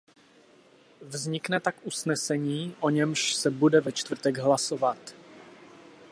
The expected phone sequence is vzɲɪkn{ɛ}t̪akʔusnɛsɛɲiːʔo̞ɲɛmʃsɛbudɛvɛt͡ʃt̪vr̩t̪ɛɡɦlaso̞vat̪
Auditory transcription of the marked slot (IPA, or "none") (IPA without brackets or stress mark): ɛ